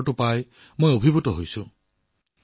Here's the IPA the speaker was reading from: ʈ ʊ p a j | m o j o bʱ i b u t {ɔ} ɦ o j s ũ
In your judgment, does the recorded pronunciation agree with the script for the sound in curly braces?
yes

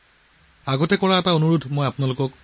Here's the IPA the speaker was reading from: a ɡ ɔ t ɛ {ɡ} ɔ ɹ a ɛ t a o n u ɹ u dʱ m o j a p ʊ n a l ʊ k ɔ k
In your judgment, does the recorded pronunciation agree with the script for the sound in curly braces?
no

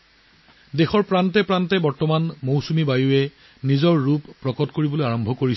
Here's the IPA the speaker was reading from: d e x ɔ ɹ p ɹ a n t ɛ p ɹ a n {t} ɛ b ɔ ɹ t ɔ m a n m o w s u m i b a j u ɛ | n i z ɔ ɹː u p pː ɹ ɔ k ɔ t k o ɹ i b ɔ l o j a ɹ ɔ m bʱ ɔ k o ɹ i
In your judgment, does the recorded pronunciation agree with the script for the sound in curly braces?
yes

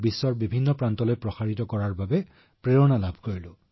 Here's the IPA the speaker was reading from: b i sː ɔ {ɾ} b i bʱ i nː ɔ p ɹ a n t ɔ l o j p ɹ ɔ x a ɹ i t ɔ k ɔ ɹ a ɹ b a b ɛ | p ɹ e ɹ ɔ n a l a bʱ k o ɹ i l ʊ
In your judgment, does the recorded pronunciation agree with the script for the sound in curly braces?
no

